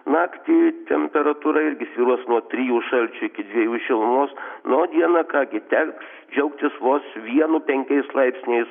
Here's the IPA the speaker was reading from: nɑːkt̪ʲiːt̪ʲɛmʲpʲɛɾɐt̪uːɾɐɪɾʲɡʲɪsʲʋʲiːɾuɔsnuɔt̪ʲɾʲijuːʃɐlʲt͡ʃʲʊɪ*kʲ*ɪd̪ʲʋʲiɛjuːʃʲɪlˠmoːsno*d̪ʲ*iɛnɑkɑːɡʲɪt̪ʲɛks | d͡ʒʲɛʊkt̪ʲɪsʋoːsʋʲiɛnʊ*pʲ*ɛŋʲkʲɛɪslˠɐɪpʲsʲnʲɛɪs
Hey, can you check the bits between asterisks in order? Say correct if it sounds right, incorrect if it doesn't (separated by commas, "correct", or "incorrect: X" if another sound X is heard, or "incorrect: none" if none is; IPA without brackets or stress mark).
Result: correct, correct, correct